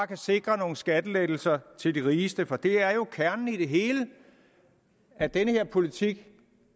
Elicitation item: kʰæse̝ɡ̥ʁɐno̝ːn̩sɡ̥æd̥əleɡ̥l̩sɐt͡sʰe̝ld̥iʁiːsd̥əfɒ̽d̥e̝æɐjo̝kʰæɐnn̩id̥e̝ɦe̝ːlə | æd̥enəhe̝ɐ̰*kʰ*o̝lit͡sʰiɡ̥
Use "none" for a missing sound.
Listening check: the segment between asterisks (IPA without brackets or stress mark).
pʰ